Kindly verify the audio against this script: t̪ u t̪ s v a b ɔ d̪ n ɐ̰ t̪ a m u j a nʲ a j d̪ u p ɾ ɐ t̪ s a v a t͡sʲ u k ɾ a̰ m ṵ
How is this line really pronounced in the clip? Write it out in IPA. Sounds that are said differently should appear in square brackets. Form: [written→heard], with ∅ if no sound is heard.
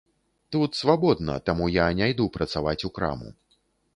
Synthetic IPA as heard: t̪ u t̪ s v a b ɔ d̪ n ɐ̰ t̪ a m u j a nʲ a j d̪ u p ɾ ɐ t̪ s a v a t͡sʲ u k ɾ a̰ m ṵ